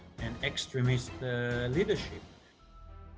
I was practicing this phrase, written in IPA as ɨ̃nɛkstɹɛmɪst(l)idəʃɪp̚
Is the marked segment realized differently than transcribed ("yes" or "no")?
no